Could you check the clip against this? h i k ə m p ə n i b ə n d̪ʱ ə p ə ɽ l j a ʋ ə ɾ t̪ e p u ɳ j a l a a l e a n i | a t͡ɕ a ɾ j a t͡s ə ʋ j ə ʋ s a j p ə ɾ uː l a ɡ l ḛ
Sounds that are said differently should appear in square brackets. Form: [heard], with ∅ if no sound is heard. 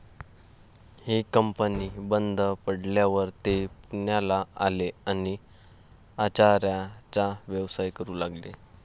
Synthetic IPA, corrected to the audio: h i k ə m p ə n i b ə n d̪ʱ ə p ə ɽ l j a ʋ ə ɾ t̪ e p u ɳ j a l a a l e a n i | a t͡ɕ a ɾ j a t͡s [a] ʋ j ə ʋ s a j [k] ə ɾ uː l a ɡ l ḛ